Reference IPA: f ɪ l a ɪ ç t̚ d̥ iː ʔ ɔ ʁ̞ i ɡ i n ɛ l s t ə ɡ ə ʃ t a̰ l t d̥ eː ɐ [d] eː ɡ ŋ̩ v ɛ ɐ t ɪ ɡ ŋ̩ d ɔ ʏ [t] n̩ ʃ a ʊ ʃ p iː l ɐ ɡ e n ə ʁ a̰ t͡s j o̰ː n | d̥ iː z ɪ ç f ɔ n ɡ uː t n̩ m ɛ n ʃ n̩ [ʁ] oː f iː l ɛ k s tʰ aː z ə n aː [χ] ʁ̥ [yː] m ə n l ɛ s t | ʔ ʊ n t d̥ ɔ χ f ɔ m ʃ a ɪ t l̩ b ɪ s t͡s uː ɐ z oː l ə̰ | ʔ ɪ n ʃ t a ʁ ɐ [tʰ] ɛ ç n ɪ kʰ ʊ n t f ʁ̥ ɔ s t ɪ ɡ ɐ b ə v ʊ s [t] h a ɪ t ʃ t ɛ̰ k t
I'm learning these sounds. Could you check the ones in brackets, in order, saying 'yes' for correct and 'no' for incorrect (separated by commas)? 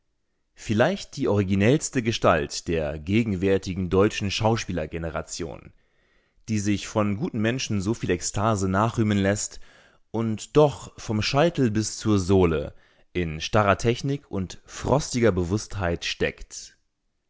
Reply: no, no, no, yes, yes, yes, yes